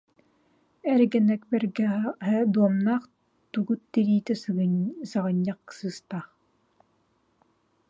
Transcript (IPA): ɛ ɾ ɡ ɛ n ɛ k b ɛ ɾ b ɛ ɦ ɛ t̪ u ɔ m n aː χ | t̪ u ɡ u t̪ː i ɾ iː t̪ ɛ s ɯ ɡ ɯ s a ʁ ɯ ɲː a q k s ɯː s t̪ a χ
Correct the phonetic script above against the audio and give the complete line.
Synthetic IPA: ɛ ɾ ɡ ɛ n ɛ k b ɛ ɾ ɡ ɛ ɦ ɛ d̪ u ɔ m n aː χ | t̪ u ɡ u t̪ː i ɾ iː t̪ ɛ s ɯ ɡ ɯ s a ʁ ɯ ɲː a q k s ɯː s t̪ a χ